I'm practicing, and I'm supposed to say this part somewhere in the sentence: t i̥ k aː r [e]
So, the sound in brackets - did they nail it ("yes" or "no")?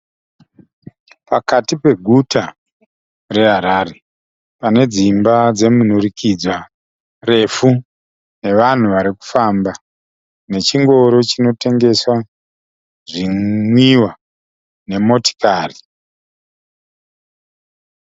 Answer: no